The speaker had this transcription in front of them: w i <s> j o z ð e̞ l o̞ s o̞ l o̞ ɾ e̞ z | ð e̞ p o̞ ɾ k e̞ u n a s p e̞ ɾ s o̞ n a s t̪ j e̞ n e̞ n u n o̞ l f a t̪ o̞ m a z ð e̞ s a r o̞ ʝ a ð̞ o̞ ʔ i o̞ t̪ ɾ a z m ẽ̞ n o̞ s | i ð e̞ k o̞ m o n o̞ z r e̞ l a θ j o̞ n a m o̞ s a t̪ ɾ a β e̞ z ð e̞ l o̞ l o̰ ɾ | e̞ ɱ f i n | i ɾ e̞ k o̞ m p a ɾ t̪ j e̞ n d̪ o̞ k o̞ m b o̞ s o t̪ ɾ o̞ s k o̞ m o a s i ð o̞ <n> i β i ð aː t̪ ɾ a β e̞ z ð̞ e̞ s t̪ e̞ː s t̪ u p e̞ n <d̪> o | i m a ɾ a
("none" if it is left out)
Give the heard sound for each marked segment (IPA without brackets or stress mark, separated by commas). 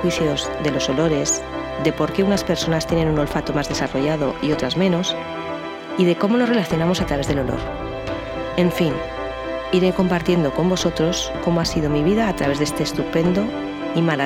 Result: θ, m, d̪